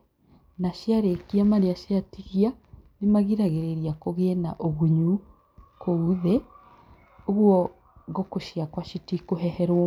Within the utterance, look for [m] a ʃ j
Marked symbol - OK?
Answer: no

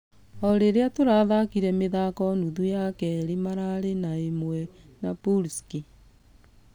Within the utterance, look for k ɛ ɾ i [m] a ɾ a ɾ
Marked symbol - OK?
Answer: yes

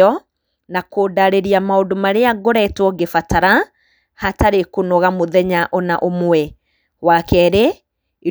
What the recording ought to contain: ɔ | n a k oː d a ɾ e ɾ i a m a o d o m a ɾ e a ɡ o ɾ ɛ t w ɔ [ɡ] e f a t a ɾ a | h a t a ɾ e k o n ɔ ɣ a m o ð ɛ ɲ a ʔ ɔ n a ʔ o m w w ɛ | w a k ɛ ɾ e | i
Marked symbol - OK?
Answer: yes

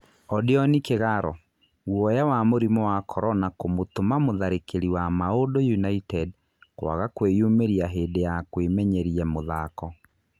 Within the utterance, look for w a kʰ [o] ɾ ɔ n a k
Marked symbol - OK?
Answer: no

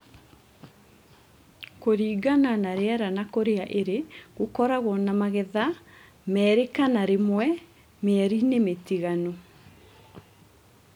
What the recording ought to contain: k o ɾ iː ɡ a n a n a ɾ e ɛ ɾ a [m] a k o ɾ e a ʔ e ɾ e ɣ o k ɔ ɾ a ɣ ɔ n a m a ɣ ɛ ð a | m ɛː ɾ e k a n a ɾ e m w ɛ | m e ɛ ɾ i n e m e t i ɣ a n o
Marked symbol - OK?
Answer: no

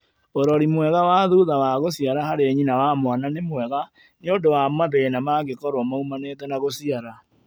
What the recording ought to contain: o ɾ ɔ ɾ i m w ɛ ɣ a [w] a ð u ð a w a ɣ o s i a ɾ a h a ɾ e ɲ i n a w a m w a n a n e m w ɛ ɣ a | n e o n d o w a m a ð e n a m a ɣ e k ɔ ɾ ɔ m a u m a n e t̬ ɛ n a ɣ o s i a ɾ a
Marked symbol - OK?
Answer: yes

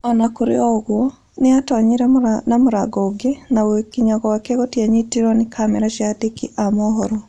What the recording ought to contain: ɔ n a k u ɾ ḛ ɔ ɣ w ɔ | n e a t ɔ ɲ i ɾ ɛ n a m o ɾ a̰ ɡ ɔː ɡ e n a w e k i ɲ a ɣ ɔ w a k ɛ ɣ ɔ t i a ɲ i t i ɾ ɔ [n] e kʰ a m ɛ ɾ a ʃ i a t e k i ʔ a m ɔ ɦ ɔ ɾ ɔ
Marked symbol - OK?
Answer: yes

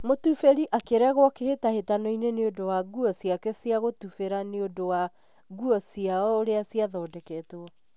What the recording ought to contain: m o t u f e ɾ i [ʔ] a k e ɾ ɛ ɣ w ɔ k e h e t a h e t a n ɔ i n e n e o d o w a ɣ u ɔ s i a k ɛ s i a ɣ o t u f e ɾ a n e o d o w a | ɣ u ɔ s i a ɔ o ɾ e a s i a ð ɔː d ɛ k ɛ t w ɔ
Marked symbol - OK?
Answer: yes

